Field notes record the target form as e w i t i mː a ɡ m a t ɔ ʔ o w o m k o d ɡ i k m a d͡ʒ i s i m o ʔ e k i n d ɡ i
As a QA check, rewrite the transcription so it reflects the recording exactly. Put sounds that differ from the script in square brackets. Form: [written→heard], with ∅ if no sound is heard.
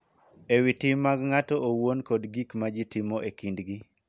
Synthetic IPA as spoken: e w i t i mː a ɡ [m→ŋ] a t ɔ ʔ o w o [m→n] k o d ɡ i k m a d͡ʒ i [s→t] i m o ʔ e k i n d ɡ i